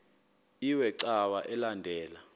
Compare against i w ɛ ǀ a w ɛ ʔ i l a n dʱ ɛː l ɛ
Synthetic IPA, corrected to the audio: i w ɛ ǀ a w a ʔ ɛ l a n dʱ ɛː l a